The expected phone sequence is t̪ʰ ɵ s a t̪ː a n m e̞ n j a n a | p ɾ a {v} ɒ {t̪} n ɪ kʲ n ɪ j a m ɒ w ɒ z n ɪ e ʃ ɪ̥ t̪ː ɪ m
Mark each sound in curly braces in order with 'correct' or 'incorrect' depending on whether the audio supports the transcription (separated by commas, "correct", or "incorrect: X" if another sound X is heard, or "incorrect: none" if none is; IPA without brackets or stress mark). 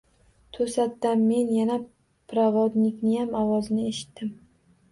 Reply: correct, incorrect: d̪